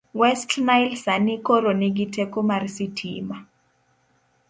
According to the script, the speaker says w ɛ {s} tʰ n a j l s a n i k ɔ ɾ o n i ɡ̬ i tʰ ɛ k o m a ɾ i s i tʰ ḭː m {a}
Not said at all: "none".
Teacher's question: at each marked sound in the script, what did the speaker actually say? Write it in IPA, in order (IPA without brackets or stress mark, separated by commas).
s, a